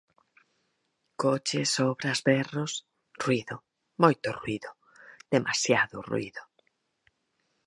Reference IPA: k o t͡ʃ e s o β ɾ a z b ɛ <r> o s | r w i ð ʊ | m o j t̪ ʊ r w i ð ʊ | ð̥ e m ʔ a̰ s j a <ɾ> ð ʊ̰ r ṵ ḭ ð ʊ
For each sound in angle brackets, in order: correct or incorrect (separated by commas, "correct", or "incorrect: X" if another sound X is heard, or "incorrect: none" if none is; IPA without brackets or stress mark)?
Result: correct, incorrect: none